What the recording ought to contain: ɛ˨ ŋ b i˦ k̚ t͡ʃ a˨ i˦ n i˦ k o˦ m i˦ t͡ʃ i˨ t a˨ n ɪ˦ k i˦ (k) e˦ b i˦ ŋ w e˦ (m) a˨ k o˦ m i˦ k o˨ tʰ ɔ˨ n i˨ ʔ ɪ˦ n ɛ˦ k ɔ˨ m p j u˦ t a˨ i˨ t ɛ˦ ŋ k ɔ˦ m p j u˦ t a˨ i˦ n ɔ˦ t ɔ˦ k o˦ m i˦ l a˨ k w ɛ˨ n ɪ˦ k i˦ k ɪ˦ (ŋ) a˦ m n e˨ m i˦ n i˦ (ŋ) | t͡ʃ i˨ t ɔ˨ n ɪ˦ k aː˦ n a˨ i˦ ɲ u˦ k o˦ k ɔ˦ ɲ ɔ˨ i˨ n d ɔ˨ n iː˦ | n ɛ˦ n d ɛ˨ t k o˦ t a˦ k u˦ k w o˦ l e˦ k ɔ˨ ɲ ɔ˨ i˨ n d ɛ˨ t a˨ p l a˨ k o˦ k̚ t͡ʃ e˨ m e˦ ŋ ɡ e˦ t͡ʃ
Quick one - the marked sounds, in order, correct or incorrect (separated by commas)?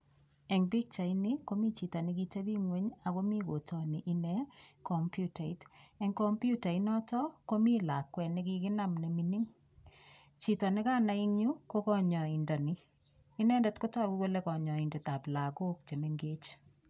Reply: incorrect, incorrect, incorrect, correct